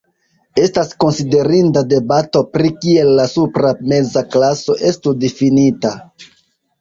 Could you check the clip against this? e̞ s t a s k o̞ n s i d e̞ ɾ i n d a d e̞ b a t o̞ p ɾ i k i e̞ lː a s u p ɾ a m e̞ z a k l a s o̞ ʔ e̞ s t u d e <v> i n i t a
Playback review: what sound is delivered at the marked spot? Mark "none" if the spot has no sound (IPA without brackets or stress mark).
f